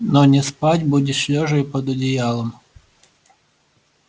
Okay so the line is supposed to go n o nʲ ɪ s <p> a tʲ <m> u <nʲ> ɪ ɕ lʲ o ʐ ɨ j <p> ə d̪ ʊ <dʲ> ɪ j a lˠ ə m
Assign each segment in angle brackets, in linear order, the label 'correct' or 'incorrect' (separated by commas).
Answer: correct, incorrect, incorrect, correct, correct